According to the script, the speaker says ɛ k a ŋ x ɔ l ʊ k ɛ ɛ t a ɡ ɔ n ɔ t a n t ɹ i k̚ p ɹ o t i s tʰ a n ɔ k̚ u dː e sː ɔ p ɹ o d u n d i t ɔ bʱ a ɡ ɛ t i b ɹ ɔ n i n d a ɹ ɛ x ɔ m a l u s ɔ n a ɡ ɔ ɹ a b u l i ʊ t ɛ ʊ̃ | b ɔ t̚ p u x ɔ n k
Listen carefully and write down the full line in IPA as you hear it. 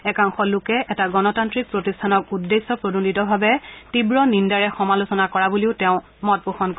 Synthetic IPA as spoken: ɛ k a ŋ x ɔ l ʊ k ɛ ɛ t a ɡ ɔ n ɔ t a n t ɹ i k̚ p ɹ o t i s tʰ a n ɔ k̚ u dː e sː ɔ p ɹ o d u n d i t ɔ bʱ a b ɛ t i b ɹ ɔ n i n d a ɹ ɛ x ɔ m a l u s ɔ n a k ɔ ɹ a b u l i ʊ t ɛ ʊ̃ | m ɔ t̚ p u x ɔ n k